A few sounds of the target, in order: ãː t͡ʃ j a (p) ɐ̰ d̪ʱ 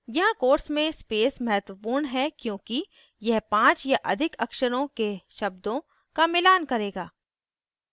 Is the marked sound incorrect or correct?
incorrect